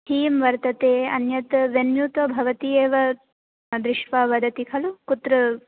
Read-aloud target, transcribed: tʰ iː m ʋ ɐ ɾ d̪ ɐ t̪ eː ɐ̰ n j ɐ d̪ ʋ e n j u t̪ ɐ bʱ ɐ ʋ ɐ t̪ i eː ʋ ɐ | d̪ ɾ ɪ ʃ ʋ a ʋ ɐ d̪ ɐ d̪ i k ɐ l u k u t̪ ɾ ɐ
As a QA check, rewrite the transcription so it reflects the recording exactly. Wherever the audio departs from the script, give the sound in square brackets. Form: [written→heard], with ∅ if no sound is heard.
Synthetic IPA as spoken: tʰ iː m ʋ ɐ ɾ [d̪→t̪] ɐ t̪ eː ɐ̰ n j ɐ [d̪→t̪] ʋ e n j u t̪ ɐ bʱ ɐ ʋ ɐ t̪ i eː ʋ ɐ | d̪ ɾ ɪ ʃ ʋ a ʋ ɐ d̪ ɐ [d̪→t̪] i [k→kʰ] ɐ l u k u t̪ ɾ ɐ